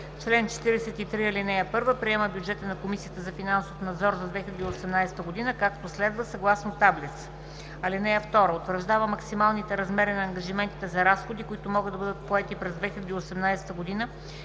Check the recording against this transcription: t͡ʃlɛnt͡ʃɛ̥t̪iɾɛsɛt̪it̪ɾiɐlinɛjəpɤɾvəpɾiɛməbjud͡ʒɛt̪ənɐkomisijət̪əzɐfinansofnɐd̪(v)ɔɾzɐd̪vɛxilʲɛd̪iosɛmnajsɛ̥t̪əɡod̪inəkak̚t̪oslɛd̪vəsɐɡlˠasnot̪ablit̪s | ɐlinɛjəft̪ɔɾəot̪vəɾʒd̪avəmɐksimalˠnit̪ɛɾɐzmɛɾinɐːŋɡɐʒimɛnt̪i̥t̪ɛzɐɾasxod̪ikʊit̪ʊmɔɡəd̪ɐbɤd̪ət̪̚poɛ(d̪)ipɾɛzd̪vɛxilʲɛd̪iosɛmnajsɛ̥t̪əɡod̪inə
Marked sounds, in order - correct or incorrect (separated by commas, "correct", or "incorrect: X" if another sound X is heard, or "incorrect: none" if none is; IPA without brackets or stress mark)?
incorrect: z, incorrect: t̪